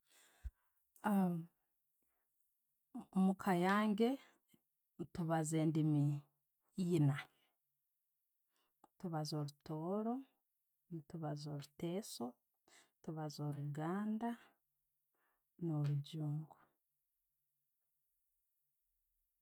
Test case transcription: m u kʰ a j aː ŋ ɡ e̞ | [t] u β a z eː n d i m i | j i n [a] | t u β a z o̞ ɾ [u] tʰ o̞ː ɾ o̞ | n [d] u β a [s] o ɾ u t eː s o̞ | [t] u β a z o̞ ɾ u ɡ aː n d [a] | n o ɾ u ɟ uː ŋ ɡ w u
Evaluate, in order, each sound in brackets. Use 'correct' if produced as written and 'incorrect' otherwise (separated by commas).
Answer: correct, correct, correct, incorrect, incorrect, correct, correct